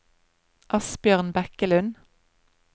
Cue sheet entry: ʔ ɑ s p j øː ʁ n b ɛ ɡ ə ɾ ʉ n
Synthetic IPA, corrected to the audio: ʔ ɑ s b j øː ʁ n b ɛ k ə l ʉ n